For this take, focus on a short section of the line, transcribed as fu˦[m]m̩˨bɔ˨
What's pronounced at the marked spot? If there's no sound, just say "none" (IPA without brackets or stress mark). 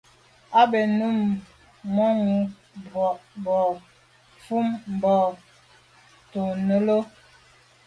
m